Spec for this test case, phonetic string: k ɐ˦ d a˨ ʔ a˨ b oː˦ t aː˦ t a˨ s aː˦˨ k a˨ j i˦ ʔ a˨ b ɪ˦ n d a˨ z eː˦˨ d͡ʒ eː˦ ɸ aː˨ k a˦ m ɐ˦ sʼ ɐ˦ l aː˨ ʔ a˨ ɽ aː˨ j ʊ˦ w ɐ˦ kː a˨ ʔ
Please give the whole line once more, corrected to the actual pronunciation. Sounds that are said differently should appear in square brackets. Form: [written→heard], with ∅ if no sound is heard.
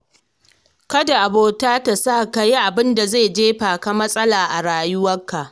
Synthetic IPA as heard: k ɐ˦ d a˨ ʔ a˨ b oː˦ t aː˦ t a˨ s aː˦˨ k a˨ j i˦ ʔ a˨ b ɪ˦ n d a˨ z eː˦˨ d͡ʒ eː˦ ɸ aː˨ k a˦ m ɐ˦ sʼ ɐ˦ l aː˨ ʔ a˨ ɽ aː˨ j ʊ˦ w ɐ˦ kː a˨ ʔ